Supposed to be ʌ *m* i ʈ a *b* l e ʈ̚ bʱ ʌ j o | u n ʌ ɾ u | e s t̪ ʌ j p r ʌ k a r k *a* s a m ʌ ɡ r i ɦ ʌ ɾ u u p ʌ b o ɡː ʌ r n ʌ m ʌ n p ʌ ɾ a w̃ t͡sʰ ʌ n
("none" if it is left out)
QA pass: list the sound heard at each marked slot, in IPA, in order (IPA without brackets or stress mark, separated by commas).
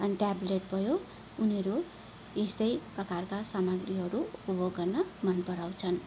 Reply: n, b, a